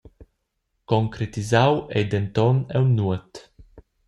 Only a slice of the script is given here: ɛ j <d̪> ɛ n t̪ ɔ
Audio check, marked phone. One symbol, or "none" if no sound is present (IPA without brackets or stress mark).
d̪